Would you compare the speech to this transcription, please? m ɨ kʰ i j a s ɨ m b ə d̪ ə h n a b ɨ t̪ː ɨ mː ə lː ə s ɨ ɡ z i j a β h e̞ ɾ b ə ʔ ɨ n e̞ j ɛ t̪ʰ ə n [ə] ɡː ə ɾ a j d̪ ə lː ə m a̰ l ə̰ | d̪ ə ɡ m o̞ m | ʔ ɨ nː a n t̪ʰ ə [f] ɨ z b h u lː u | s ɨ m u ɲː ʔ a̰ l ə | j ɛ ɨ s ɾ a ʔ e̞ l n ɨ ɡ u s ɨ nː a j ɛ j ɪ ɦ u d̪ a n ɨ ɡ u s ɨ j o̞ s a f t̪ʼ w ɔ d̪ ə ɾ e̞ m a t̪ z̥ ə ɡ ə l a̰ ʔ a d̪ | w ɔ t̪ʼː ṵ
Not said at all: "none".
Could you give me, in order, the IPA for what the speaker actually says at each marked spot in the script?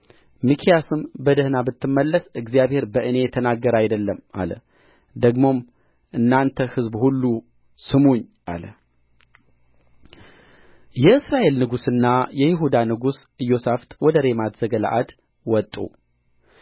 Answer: a, h

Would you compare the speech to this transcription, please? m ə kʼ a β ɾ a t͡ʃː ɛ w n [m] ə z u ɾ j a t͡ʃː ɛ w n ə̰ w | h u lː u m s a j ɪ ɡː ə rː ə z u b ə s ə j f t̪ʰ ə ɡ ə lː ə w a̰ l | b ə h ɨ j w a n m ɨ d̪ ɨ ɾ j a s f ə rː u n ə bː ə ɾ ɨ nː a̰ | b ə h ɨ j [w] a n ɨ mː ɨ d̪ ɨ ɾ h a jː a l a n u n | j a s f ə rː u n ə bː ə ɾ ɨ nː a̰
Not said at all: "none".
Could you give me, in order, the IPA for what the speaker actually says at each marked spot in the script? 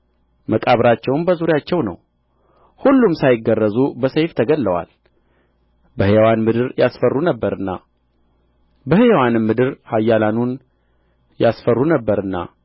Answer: b, w

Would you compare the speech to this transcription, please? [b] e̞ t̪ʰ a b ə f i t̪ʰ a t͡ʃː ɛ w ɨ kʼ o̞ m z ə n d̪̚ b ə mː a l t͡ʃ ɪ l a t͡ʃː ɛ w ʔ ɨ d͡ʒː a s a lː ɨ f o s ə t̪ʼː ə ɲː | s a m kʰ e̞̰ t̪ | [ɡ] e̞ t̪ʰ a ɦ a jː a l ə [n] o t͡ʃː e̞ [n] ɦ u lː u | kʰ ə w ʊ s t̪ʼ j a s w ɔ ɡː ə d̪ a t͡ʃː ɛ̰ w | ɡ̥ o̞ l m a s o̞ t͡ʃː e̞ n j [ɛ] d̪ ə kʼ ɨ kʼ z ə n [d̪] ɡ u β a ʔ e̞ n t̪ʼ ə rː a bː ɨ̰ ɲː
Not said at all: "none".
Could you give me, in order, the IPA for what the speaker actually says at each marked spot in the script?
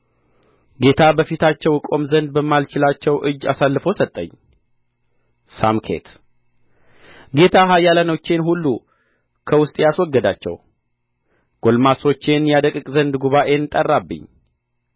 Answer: ɡ, ɡ, n, n, a, d̪

